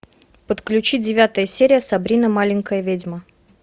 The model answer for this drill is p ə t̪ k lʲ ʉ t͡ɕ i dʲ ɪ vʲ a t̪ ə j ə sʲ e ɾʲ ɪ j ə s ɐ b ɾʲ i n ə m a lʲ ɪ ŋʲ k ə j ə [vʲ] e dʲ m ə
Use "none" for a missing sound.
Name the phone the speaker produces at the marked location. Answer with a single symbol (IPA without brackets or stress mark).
vʲ